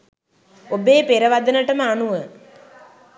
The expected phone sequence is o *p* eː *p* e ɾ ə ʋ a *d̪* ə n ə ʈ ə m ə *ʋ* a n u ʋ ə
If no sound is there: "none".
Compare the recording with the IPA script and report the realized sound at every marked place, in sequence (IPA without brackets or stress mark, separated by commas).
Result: b, p, d̪, none